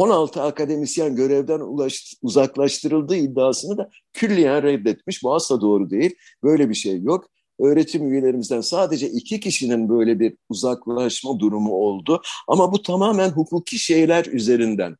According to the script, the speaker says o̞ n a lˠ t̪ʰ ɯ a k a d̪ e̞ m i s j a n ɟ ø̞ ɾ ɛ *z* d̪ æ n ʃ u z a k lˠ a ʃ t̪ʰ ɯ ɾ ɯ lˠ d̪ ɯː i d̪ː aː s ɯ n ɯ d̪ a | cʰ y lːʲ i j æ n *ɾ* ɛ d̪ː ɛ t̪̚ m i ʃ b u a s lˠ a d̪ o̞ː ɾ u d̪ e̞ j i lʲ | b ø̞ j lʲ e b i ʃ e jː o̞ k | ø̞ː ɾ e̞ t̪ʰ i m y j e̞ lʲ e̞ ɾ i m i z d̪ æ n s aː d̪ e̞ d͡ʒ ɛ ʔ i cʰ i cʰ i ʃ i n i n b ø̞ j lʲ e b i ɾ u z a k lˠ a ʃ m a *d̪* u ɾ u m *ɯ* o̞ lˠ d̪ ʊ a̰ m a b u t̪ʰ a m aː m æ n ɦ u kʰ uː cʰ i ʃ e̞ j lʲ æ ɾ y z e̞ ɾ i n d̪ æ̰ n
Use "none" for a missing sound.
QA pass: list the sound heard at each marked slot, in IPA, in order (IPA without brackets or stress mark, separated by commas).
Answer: v, ɾ, d̪, u